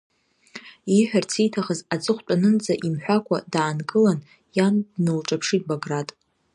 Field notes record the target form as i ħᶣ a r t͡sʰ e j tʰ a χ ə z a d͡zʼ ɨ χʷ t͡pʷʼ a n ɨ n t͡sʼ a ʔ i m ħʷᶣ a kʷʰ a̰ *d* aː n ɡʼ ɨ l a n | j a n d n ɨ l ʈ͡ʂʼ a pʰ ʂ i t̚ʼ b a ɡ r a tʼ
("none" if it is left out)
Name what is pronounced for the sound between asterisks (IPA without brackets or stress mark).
d